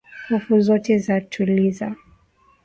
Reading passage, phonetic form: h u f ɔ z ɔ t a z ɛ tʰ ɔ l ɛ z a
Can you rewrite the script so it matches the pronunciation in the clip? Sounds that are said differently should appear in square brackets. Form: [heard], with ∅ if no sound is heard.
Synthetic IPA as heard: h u f [u] z ɔ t [ɛ] z [a] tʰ [u] l [i] z a